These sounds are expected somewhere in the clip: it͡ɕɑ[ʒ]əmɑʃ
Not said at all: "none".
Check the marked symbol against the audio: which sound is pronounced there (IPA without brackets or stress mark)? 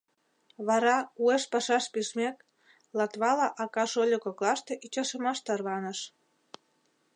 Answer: ʃ